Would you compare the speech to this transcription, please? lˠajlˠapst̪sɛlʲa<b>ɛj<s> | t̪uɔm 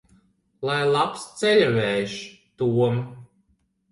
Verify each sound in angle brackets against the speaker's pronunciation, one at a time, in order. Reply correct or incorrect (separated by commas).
incorrect, incorrect